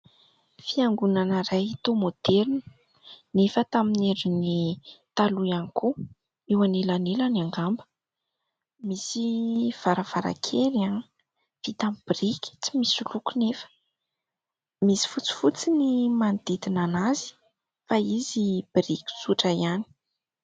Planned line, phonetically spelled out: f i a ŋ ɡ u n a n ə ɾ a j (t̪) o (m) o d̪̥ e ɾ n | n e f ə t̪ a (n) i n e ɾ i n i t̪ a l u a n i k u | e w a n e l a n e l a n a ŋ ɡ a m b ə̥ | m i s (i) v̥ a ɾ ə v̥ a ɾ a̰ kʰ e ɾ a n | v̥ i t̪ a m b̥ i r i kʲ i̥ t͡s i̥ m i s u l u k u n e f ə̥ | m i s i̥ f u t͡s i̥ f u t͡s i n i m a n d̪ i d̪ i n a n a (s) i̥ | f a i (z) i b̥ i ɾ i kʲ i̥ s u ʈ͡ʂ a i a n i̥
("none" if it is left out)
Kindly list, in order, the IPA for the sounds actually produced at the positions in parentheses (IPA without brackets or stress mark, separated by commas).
t̪, m, m, i, z, z